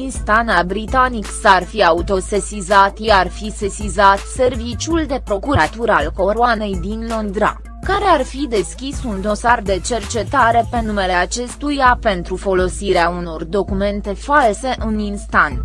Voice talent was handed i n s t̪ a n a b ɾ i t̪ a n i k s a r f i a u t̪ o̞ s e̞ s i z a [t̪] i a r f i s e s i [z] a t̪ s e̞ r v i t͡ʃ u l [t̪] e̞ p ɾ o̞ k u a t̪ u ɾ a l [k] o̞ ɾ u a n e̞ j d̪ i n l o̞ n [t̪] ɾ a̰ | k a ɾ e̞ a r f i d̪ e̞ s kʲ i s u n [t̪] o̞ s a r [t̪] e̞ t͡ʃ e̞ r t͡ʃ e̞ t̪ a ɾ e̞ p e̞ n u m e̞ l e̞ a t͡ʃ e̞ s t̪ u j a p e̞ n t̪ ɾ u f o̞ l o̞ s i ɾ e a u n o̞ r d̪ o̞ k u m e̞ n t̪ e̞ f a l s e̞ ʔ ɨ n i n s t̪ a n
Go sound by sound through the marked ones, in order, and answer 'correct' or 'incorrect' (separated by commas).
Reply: correct, correct, incorrect, correct, incorrect, incorrect, incorrect